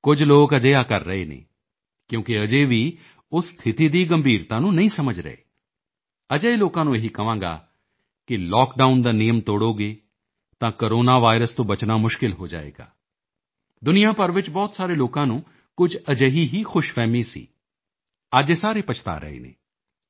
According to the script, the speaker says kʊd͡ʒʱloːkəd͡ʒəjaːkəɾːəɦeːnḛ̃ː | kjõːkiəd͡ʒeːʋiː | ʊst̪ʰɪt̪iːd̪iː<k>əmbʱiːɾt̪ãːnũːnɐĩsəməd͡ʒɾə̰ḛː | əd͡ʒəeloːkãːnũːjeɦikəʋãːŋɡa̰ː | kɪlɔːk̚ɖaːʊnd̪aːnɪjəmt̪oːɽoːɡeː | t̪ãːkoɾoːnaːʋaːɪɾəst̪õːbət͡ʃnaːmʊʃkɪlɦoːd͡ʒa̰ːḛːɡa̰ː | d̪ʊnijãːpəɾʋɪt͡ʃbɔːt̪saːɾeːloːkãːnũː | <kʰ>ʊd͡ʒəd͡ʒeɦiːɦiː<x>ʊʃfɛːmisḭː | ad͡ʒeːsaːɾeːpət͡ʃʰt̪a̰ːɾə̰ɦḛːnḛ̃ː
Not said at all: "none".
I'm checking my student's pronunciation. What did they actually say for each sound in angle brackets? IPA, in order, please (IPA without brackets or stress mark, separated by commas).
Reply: ɡ, k, x